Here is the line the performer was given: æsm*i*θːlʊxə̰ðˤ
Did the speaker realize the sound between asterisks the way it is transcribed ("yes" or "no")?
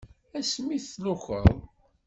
yes